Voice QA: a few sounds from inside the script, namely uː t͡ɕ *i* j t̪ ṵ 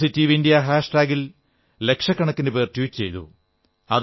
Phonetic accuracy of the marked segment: incorrect: e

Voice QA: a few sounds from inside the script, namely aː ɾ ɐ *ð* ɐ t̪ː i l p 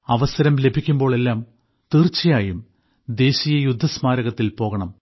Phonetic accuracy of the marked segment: incorrect: ɣ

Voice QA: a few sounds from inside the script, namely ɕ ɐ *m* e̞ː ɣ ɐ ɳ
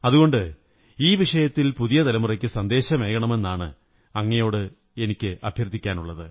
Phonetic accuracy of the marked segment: correct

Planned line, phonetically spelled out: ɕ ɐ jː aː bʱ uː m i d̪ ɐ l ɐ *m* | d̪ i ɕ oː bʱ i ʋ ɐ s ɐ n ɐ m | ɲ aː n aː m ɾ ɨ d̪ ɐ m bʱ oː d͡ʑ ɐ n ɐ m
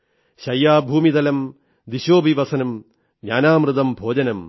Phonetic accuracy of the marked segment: correct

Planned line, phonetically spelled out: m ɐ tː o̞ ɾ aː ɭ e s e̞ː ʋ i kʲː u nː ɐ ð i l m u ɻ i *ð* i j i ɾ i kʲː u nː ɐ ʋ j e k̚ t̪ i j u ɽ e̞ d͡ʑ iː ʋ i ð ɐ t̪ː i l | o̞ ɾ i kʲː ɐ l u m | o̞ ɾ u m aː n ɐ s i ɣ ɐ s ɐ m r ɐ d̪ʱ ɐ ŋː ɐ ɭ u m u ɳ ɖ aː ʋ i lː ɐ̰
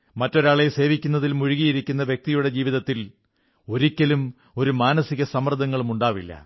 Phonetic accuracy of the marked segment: incorrect: ɣ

